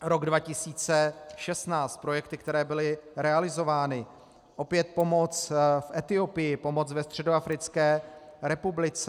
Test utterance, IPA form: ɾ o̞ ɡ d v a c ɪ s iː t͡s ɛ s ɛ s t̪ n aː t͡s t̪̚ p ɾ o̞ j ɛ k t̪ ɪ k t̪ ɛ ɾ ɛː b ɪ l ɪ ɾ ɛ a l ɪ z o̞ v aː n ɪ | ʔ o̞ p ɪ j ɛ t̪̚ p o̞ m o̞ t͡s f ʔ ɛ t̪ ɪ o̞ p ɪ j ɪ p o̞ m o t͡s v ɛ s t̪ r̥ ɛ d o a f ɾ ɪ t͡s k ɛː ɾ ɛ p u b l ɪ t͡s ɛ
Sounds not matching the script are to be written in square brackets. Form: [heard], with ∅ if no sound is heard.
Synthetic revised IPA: ɾ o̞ ɡ d v a c ɪ s iː t͡s ɛ [ʃ] ɛ s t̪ n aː t͡s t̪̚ p ɾ o̞ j ɛ k t̪ ɪ k t̪ ɛ ɾ ɛː b ɪ l ɪ ɾ ɛ a l ɪ z o̞ v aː n ɪ | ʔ o̞ p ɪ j ɛ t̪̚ p o̞ m o̞ t͡s f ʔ ɛ t̪ ɪ o̞ p ɪ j ɪ p o̞ m o t͡s v ɛ s t̪ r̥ ɛ d o a f ɾ ɪ t͡s k ɛː ɾ ɛ p u b l ɪ t͡s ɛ

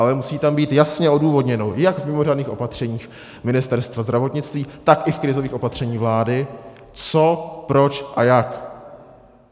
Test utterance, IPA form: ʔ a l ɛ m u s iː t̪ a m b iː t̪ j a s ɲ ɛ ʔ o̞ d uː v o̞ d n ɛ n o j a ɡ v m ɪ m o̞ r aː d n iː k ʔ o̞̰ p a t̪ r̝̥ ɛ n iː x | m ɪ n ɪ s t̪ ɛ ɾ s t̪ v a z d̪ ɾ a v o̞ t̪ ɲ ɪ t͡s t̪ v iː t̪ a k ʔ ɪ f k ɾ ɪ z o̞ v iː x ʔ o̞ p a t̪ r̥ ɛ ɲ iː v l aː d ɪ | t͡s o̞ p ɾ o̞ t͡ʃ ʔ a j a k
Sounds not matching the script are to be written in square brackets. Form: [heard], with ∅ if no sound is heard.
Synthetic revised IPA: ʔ a l ɛ m u s iː t̪ a m b iː t̪ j a s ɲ ɛ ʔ o̞ d uː v o̞ d [ɲ] ɛ n o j a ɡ v m ɪ m o̞ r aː d n iː [x] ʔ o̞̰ p a t̪ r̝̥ ɛ [ɲ] iː x | m ɪ n ɪ s t̪ ɛ ɾ s t̪ v a z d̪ ɾ a v o̞ t̪ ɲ ɪ t͡s t̪ v iː t̪ a k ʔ ɪ f k ɾ ɪ z o̞ v iː x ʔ o̞ p a t̪ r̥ ɛ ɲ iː v l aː d ɪ | t͡s o̞ p ɾ o̞ t͡ʃ ʔ a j a k

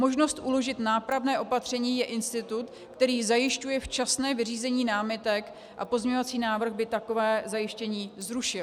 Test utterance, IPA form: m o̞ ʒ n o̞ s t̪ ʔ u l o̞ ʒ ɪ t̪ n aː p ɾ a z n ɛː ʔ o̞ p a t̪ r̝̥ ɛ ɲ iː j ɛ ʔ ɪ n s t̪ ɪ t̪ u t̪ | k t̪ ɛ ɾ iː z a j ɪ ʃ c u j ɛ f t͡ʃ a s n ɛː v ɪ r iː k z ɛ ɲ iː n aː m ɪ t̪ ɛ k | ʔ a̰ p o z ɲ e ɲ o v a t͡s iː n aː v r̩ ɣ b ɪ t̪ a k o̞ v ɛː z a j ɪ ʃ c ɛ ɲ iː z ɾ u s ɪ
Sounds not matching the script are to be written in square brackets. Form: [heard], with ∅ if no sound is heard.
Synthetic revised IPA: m o̞ ʒ n o̞ s t̪ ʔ u l o̞ ʒ ɪ t̪ n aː p ɾ a [v] n ɛː ʔ o̞ p a t̪ r̝̥ ɛ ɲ iː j ɛ ʔ ɪ n s t̪ ɪ t̪ u t̪ | k t̪ ɛ ɾ iː z a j ɪ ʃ c u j ɛ f t͡ʃ a s n ɛː v ɪ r iː [∅] z ɛ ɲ iː n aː m ɪ t̪ ɛ k | ʔ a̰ p o z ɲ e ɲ o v a t͡s iː n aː v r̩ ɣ b ɪ t̪ a k o̞ v ɛː z a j ɪ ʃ c ɛ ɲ iː z ɾ u [ʃ] ɪ

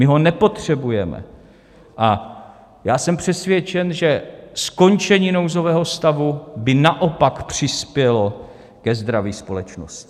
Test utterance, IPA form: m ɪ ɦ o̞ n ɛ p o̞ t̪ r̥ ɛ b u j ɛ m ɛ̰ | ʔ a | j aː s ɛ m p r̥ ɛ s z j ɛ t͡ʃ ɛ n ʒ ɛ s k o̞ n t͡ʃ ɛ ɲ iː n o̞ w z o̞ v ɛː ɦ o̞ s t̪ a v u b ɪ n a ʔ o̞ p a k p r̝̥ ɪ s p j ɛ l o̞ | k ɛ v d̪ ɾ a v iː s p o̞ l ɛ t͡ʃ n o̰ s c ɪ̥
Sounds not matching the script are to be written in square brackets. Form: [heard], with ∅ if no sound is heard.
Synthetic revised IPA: m ɪ ɦ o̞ n ɛ p o̞ t̪ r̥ ɛ b u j ɛ m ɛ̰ | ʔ a | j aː s ɛ m p r̥ ɛ s [v] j ɛ t͡ʃ ɛ n ʒ ɛ s k o̞ n t͡ʃ ɛ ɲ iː n o̞ w z o̞ v ɛː ɦ o̞ s t̪ a v u b ɪ n a ʔ o̞ p a k p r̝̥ ɪ s p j ɛ l o̞ | k ɛ [z] d̪ ɾ a v iː s p o̞ l ɛ t͡ʃ n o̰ s c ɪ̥

